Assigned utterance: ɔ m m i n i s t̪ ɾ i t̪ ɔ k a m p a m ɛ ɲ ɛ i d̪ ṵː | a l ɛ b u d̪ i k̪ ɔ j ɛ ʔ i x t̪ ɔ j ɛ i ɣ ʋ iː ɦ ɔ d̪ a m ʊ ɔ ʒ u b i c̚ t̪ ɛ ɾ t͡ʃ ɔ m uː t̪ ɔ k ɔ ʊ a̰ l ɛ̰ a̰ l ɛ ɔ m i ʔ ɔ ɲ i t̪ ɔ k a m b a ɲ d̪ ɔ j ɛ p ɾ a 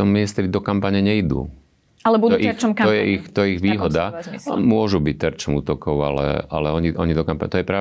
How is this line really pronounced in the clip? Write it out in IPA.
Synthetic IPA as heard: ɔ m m i n i s t̪ ɾ i d̪ ɔ k a m p a ɲ ɛ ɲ ɛ i d̪ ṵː | a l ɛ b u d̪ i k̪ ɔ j ɛ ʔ i x t̪ ɔ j ɛ i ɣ ʋ iː ɦ ɔ d̪ a m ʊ ɔ ʒ u b i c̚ t̪ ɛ ɾ t͡ʃ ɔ m uː t̪ ɔ k ɔ ʊ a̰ l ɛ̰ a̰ l ɛ ɔ ɲ i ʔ ɔ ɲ i d̪ ɔ k a m p a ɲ t̪ ɔ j ɛ p ɾ a